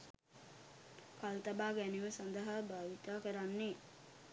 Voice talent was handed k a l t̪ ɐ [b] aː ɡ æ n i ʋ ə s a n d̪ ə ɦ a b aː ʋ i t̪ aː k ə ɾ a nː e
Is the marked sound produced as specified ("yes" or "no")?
yes